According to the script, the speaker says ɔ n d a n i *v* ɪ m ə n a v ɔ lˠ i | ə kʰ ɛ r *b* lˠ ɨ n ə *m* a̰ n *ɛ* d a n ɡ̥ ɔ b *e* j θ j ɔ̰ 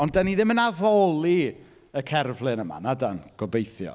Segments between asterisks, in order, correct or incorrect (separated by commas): incorrect, incorrect, correct, incorrect, correct